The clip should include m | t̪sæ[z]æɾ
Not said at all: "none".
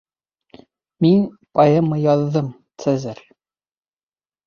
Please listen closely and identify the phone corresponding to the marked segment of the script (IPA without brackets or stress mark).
z